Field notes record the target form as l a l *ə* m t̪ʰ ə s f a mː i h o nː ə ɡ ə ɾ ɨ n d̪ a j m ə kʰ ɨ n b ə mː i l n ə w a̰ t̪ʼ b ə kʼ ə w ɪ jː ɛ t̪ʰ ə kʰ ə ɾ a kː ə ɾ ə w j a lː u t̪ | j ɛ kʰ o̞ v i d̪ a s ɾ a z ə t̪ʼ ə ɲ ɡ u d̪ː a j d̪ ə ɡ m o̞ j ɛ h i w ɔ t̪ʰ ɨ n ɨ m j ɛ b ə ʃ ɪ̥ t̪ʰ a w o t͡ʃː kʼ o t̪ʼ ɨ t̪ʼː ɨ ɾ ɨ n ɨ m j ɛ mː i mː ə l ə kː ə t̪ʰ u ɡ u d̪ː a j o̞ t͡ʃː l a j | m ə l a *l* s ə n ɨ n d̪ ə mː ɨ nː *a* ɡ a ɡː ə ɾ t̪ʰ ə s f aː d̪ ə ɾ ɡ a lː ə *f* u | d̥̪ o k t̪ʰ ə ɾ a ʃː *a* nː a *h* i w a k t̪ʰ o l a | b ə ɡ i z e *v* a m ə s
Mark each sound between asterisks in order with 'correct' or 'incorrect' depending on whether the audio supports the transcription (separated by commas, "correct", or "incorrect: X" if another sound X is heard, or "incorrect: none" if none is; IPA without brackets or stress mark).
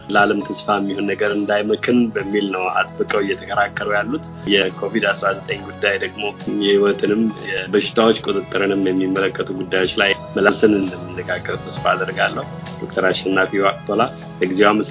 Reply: correct, correct, incorrect: ə, incorrect: h, incorrect: ɛ, incorrect: f, incorrect: w